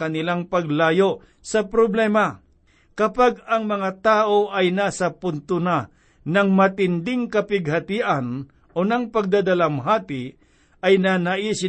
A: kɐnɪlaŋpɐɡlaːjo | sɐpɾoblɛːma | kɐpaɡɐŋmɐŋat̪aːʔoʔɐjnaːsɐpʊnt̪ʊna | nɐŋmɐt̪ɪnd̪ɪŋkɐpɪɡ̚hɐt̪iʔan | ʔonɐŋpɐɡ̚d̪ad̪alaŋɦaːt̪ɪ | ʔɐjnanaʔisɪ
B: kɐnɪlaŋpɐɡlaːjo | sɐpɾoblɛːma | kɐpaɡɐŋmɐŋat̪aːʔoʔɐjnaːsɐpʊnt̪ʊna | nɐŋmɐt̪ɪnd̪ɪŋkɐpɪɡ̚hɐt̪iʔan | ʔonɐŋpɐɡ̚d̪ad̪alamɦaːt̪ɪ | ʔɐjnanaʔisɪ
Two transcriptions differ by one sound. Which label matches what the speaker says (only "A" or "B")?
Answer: B